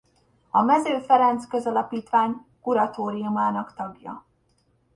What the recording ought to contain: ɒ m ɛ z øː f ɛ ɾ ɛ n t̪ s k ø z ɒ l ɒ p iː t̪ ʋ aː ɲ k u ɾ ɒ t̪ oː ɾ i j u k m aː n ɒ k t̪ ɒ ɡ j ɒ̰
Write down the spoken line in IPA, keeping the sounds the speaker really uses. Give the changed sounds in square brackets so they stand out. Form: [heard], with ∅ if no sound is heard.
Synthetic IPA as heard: ɒ m ɛ z øː f ɛ ɾ ɛ n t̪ s k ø z ɒ l ɒ p iː t̪ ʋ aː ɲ k u ɾ ɒ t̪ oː ɾ i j u [∅] m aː n ɒ k t̪ ɒ ɡ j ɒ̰